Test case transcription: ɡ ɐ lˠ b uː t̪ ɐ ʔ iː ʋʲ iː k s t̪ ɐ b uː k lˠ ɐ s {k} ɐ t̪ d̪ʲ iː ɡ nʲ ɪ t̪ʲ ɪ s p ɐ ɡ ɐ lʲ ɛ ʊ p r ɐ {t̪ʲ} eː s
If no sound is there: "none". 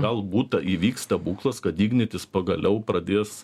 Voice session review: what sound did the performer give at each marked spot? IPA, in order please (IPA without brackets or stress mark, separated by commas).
k, d̪ʲ